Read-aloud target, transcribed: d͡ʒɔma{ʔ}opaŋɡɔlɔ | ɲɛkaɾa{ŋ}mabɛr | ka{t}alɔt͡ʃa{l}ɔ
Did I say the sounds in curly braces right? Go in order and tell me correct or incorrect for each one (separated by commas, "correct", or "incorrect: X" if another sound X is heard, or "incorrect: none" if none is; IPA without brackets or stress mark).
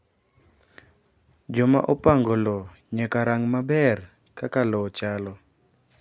correct, correct, incorrect: k, correct